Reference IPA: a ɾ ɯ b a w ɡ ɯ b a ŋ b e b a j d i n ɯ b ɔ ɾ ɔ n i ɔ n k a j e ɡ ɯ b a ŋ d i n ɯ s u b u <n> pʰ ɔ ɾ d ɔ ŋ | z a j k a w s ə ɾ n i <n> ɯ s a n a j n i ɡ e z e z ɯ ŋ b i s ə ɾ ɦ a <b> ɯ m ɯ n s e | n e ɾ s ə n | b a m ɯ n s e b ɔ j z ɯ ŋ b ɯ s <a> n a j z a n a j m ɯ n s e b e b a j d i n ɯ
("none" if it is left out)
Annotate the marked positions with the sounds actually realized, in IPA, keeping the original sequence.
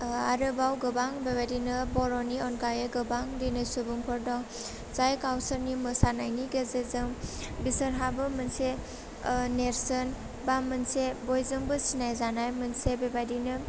ŋ, m, b, i

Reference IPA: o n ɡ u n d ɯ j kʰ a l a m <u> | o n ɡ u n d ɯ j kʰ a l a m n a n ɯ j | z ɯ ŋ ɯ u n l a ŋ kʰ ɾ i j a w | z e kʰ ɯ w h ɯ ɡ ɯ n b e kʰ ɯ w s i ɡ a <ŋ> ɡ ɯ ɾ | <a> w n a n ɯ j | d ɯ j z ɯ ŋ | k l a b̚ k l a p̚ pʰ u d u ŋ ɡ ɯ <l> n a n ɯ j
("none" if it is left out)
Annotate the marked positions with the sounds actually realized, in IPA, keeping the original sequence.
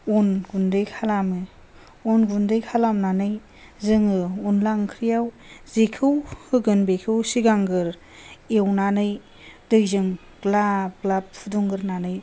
ɯ, ŋ, e, ɾ

